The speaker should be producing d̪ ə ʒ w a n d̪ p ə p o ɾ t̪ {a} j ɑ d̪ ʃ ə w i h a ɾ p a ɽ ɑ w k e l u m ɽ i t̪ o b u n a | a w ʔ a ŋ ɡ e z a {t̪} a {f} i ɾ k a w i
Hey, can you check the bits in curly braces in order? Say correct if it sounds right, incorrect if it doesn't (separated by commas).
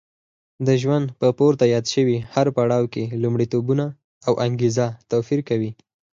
correct, correct, correct